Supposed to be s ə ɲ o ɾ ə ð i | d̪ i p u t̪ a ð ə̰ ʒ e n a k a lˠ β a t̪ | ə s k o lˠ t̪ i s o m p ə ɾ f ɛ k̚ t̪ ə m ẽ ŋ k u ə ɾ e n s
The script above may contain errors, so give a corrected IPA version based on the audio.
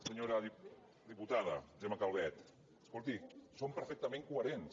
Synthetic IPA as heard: s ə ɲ o ɾ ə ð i | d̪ i p u t̪ a ð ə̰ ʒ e m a k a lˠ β ɛ t̪ | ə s k o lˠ t̪ i s o m p ə ɾ f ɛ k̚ t̪ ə m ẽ ŋ k u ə ɾ e n s